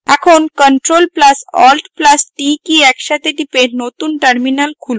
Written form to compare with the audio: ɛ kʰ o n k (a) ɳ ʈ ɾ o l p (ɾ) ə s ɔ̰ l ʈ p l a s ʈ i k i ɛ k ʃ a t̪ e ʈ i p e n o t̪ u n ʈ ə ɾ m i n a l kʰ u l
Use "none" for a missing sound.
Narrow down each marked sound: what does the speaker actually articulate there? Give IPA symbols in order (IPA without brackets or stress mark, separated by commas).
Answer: ə, l